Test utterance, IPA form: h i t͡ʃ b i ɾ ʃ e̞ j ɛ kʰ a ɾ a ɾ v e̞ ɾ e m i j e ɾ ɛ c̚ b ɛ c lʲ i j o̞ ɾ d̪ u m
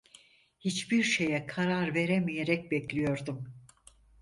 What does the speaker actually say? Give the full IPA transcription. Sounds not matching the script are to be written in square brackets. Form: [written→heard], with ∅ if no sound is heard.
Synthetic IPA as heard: h i t͡ʃ b i ɾ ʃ e̞ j ɛ kʰ a ɾ a ɾ v e̞ ɾ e m i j e ɾ ɛ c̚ b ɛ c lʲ i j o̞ ɾ d̪ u m